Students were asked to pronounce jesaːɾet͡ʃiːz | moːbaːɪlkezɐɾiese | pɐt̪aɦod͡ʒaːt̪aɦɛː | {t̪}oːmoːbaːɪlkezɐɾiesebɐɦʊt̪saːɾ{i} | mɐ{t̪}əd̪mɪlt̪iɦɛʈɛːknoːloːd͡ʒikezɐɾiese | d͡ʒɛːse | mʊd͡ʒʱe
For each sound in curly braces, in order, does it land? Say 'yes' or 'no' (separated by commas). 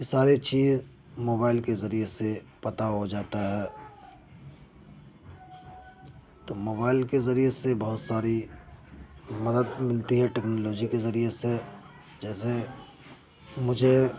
yes, yes, no